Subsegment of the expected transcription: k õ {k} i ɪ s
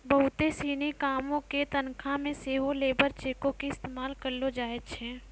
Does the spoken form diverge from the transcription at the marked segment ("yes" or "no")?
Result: no